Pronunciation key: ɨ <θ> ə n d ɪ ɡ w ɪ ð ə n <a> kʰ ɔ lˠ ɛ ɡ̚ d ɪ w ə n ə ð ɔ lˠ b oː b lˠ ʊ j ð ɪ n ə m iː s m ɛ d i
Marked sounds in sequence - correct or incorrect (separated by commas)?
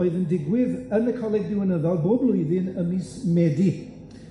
incorrect, incorrect